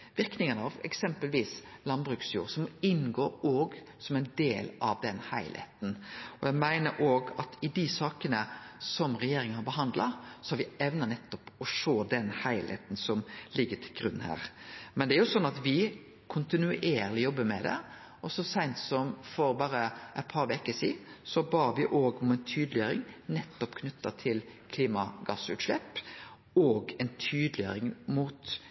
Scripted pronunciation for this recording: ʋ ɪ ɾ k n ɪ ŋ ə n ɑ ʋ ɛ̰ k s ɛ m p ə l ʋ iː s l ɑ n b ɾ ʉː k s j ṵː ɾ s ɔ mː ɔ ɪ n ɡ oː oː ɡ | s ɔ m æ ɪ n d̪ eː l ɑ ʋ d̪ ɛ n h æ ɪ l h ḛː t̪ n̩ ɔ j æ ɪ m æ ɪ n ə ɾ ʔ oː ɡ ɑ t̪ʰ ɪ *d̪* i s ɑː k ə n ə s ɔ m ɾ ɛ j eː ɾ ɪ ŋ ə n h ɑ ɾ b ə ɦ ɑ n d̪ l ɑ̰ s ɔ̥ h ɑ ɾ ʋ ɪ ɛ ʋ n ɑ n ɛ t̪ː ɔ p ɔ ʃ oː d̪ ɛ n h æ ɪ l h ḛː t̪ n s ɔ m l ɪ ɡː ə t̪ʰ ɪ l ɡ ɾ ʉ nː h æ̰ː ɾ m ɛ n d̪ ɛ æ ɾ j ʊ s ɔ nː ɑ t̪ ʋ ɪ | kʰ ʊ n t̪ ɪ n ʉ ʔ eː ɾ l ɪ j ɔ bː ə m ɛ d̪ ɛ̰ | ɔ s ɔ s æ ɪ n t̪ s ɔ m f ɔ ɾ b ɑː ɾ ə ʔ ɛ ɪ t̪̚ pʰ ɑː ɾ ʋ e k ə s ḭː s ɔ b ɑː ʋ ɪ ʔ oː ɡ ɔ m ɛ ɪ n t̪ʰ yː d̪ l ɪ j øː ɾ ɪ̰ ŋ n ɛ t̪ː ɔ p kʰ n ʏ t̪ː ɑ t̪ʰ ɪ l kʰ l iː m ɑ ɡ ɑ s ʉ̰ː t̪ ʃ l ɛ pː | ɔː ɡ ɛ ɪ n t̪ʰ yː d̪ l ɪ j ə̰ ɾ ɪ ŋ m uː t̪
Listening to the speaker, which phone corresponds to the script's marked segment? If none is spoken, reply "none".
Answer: d̪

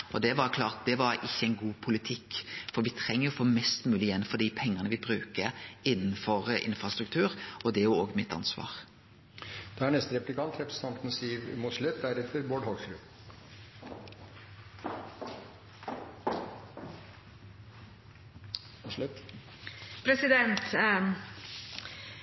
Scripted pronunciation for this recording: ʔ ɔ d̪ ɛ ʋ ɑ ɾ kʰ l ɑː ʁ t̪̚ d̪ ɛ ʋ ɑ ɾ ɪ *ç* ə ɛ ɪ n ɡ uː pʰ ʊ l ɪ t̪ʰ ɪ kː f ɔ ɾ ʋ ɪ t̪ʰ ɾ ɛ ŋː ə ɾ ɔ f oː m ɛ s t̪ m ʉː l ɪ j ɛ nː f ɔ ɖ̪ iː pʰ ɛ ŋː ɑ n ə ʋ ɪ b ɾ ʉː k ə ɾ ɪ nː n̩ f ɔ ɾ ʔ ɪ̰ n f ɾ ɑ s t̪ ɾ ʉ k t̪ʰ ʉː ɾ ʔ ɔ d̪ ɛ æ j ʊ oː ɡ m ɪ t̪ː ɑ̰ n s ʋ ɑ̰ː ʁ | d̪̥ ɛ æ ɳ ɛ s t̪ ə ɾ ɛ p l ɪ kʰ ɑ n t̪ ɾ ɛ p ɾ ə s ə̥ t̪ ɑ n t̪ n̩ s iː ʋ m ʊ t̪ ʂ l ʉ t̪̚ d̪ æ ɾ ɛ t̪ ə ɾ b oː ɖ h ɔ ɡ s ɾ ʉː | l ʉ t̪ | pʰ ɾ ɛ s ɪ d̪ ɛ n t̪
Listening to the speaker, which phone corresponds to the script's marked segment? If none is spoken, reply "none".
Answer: çː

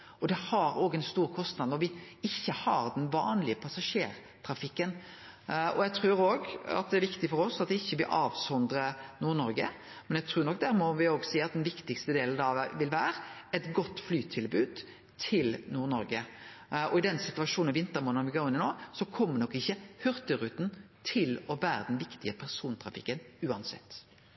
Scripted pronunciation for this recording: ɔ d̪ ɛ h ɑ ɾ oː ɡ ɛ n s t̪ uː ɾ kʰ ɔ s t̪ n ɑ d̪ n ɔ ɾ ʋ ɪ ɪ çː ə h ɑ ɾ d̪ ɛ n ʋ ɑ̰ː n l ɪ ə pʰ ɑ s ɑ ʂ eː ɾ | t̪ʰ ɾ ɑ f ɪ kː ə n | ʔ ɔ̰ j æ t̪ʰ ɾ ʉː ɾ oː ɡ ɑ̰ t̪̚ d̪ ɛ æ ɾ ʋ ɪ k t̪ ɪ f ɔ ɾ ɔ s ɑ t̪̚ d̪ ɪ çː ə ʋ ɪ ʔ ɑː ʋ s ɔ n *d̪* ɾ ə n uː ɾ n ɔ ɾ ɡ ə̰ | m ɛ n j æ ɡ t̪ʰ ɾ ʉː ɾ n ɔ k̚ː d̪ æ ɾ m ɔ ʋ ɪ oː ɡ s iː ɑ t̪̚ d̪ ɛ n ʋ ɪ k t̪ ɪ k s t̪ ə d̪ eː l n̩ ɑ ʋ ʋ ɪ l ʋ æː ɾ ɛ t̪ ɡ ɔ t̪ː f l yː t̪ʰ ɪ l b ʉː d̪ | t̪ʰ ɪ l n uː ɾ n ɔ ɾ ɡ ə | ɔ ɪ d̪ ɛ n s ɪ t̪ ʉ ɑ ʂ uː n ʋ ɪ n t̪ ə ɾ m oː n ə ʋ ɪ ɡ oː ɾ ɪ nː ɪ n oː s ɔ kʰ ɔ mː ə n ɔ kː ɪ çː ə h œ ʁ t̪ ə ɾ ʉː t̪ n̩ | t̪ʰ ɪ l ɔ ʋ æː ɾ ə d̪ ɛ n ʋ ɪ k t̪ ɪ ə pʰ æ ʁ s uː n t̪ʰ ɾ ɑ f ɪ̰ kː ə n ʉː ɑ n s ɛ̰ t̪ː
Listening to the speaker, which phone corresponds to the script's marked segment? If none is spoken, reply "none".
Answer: d̪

